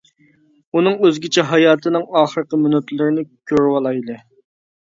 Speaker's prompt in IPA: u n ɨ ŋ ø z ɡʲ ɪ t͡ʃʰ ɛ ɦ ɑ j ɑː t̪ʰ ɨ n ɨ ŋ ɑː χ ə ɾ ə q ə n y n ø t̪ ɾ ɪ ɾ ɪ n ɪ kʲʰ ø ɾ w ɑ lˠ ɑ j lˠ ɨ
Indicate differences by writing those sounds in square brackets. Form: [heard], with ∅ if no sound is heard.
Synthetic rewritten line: u n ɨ ŋ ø z ɡʲ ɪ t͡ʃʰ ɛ ɦ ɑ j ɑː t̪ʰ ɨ n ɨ ŋ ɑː χ ə ɾ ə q ə [m] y n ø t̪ [l] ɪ ɾ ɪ n ɪ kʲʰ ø ɾ w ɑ lˠ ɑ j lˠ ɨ

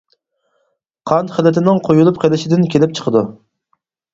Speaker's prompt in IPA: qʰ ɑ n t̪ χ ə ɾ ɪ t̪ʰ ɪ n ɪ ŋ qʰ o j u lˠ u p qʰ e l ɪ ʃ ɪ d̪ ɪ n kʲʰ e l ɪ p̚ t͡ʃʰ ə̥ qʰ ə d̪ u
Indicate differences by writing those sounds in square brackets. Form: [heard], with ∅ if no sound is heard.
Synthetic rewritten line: qʰ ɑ n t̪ χ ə [l] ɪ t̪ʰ ɪ n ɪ ŋ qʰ o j u lˠ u p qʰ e l ɪ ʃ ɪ d̪ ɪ n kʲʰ e l ɪ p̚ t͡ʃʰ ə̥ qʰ ə d̪ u

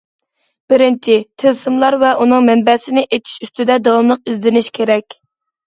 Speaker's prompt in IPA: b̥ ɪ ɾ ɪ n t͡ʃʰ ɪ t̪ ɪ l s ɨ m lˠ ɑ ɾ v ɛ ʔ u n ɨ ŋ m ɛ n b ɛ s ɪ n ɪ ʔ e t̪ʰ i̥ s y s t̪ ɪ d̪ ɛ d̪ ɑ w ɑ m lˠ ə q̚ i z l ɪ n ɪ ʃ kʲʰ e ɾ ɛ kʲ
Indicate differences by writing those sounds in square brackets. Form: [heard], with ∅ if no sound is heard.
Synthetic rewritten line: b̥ ɪ ɾ ɪ n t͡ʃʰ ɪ [t̪ʰ] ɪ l s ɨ m lˠ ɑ ɾ v ɛ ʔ u n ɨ ŋ m ɛ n b ɛ s ɪ n ɪ ʔ e t̪ʰ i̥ [ʃ] y s t̪ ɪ d̪ ɛ d̪ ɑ w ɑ m lˠ ə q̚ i z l ɪ n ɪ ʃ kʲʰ e ɾ ɛ kʲ

